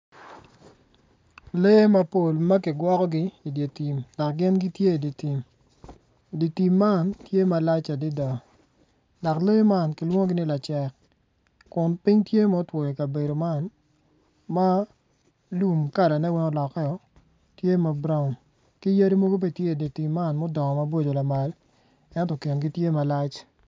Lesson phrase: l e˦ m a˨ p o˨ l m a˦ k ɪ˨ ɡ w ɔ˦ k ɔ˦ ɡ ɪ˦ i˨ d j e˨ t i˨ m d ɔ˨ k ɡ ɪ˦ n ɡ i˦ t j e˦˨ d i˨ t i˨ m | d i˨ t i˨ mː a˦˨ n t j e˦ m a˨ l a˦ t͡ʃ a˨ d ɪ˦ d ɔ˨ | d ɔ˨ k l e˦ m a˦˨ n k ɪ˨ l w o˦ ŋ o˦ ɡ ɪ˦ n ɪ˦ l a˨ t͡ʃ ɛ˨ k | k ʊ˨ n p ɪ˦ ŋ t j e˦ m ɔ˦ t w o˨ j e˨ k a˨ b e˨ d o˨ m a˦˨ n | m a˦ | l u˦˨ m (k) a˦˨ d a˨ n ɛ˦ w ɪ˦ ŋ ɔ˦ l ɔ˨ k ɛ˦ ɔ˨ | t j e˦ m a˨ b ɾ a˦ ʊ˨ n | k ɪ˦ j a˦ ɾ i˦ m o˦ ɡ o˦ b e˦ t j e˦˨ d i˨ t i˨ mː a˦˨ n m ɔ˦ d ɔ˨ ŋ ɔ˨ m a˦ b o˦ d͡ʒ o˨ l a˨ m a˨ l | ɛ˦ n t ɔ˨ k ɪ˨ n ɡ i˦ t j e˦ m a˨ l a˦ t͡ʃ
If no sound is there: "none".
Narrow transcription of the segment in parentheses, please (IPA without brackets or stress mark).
k